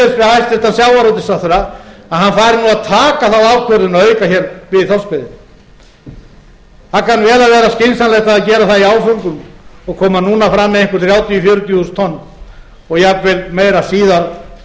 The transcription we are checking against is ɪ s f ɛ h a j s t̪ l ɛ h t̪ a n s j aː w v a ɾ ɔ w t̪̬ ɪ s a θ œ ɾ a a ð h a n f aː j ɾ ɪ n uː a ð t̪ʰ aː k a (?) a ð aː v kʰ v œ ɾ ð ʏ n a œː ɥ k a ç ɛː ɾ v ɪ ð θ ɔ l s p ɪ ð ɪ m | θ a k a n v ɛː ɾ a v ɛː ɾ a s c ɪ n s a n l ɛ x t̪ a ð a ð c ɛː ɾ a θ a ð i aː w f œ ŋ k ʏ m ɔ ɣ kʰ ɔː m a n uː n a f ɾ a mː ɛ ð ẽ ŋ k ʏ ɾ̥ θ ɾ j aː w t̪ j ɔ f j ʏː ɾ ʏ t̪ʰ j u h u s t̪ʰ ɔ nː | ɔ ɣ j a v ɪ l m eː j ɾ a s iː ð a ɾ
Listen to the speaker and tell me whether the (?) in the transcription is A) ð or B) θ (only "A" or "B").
B